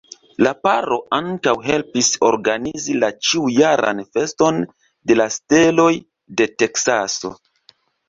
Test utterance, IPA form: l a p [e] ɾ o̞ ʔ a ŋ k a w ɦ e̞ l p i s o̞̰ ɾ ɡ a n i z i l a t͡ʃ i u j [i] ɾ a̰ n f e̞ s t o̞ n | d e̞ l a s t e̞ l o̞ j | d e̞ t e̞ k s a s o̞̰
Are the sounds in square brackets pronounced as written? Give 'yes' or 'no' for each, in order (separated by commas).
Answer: no, no